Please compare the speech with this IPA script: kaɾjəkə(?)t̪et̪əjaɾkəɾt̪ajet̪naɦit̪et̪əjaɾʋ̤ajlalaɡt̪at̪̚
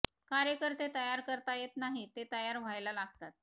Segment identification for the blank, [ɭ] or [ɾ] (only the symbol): ɾ